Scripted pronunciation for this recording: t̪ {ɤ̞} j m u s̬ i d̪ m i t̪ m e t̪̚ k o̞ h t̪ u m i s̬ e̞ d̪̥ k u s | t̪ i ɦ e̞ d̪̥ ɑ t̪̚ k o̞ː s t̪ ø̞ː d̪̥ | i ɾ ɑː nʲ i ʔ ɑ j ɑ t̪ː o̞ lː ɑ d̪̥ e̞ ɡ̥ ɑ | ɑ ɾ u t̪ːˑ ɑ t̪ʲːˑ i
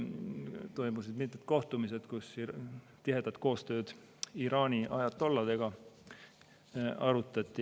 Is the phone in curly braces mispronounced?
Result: yes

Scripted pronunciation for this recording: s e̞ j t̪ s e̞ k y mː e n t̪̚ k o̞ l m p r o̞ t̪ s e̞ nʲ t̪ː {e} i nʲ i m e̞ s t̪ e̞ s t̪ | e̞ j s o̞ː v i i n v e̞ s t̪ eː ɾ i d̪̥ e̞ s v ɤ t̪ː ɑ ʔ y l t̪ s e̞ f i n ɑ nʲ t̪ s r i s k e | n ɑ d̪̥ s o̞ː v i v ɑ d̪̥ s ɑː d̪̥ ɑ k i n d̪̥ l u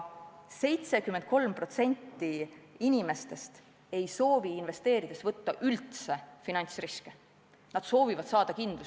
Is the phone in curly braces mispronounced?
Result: yes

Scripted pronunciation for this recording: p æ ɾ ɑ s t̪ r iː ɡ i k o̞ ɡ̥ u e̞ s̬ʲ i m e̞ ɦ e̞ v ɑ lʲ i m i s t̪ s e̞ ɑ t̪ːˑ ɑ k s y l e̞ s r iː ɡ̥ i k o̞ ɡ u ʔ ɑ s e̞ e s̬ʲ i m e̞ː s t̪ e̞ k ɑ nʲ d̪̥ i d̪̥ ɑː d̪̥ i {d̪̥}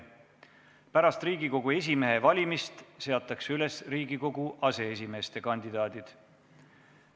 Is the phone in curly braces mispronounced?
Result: no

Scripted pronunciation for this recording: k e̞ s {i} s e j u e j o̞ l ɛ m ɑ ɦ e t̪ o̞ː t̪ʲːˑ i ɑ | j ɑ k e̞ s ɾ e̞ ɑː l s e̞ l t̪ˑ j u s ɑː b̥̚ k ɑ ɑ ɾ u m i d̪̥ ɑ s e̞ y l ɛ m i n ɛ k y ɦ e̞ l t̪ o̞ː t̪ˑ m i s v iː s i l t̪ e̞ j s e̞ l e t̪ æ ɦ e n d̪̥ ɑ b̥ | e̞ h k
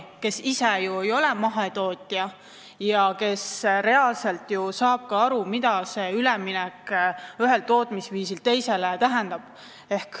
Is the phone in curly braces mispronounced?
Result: no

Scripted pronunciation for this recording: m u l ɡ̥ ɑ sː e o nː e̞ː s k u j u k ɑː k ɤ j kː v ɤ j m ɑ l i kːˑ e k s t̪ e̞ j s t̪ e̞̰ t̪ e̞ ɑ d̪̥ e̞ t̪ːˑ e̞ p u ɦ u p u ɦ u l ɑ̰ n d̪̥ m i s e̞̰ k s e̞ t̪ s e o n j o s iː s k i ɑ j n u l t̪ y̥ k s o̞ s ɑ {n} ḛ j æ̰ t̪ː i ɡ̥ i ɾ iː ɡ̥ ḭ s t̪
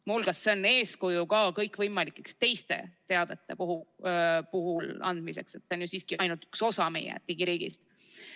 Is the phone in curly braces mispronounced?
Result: yes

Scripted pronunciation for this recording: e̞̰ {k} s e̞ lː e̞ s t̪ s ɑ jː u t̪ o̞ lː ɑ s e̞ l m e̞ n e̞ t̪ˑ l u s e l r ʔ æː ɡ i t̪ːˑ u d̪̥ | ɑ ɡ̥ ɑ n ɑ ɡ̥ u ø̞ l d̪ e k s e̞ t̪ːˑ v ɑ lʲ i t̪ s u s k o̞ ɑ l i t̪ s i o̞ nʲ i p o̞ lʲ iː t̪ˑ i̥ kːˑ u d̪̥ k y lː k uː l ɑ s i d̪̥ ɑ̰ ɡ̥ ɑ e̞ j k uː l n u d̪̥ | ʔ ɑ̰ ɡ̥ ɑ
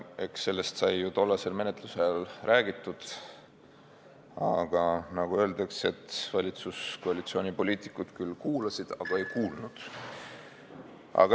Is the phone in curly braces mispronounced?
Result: no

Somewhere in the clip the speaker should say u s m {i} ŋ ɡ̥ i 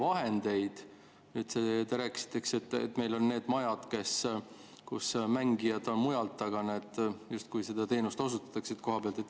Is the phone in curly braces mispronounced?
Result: yes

